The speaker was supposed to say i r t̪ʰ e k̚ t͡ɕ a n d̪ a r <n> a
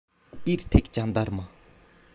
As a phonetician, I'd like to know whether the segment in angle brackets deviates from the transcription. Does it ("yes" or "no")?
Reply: yes